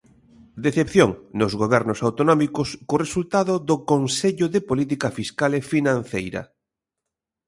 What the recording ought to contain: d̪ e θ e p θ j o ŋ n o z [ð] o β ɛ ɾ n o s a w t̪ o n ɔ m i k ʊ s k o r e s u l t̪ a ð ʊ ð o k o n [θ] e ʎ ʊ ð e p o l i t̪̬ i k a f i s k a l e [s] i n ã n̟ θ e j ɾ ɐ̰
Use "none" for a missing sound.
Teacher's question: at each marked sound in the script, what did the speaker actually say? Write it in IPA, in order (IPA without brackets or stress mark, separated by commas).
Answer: ɣ, s, f